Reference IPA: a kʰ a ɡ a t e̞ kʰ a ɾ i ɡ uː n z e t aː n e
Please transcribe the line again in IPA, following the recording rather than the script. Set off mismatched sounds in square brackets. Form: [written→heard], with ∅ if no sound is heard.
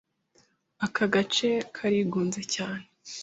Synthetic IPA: a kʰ a ɡ a [t→t͡ʃ] e̞ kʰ a ɾ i ɡ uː n z e [t→c] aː n e